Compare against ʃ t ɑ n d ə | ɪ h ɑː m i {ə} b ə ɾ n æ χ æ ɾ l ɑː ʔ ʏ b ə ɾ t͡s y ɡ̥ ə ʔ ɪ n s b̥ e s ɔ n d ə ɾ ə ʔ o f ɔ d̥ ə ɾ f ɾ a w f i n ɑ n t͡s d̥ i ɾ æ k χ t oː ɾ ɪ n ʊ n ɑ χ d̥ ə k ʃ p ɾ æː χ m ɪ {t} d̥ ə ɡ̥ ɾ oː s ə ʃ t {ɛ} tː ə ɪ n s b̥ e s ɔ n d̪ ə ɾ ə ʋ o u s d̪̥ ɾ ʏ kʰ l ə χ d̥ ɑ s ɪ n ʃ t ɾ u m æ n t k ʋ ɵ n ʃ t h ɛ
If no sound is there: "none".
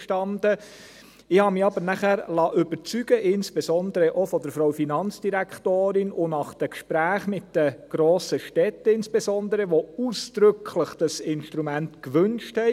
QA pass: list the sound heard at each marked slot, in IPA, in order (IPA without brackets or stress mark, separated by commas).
ɑ, t, ɛ